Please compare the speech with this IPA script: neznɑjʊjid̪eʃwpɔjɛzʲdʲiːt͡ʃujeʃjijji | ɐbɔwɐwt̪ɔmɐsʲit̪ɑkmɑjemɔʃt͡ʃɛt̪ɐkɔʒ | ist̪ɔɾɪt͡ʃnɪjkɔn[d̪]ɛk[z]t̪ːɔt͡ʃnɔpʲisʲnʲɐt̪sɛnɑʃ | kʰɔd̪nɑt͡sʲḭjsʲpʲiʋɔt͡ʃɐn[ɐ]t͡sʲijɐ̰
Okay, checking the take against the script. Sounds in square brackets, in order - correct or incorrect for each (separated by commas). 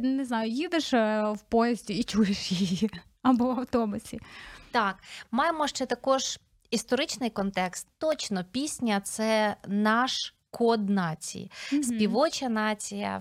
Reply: incorrect, incorrect, incorrect